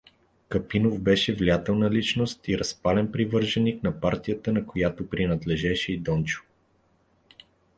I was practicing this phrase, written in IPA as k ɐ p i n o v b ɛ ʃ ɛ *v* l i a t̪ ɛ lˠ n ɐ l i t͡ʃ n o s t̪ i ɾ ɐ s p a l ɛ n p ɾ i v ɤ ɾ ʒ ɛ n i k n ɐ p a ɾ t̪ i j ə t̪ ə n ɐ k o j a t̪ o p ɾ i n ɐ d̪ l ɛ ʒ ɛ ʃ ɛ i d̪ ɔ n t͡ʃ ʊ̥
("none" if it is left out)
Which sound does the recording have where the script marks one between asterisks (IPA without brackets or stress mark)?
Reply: v